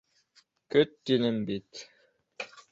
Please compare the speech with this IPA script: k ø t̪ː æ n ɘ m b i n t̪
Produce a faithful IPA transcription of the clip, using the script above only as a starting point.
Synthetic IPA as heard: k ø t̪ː i n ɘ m b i t̪